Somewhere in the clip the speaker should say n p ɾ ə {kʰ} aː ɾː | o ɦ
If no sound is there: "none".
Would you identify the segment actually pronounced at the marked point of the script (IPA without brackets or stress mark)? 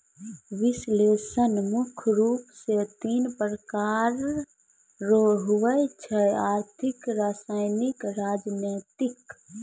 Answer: k